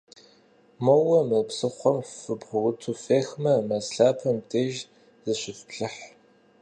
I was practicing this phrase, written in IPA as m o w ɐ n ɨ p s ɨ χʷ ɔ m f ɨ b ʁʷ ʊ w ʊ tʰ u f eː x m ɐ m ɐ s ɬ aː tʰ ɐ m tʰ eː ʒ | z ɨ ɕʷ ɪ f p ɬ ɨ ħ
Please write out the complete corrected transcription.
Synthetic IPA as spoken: m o w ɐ m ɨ p s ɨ χʷ ɔ m f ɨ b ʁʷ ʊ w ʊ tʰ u f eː x m ɐ m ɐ s ɬ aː pʰ ɐ m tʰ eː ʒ | z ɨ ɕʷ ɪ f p ɬ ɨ ħ